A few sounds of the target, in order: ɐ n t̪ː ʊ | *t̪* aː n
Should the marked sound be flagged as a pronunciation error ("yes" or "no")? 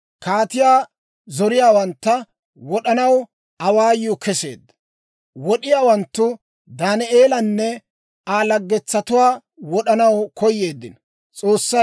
yes